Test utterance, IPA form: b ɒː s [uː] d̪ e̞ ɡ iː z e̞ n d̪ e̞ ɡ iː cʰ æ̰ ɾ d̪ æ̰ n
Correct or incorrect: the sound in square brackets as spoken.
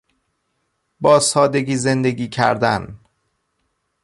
incorrect: ɒː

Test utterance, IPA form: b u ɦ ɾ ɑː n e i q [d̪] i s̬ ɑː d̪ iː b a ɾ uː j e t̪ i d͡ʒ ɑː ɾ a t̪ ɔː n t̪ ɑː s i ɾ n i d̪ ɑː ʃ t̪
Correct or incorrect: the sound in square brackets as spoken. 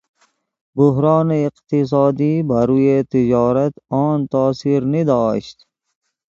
incorrect: t̪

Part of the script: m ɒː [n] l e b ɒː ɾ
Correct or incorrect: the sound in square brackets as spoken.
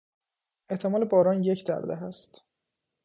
incorrect: none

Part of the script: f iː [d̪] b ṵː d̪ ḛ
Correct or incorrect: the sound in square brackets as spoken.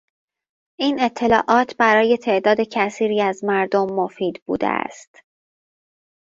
correct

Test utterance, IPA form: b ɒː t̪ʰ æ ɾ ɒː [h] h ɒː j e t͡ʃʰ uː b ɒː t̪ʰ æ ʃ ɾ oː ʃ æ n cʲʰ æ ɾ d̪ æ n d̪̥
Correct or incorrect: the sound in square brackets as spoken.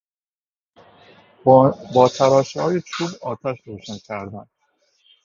incorrect: ʃ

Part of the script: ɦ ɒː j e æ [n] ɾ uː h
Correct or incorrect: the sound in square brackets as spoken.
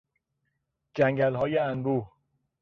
correct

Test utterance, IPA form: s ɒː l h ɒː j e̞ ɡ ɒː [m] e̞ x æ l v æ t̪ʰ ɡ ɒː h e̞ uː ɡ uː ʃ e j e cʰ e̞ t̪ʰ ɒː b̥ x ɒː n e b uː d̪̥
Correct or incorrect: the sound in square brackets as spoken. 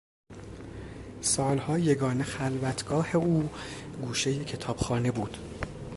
incorrect: n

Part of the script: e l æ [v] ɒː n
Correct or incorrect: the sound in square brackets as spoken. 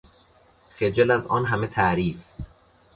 incorrect: z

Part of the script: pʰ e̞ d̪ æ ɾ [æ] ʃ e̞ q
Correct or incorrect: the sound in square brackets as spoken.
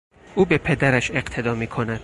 correct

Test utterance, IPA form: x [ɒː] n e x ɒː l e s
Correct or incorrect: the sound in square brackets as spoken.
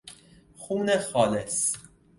incorrect: uː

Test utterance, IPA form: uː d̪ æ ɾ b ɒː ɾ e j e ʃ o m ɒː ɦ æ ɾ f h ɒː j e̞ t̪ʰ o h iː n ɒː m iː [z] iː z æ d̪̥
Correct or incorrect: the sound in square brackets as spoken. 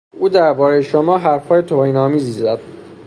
correct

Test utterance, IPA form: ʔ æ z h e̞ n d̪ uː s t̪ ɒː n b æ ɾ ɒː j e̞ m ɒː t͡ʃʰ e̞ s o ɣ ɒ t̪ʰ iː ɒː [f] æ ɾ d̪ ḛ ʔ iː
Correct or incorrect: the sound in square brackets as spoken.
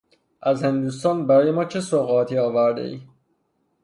incorrect: v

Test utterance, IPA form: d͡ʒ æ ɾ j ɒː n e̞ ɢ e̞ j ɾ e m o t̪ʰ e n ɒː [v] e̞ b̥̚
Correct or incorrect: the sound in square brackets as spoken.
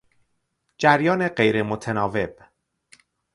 correct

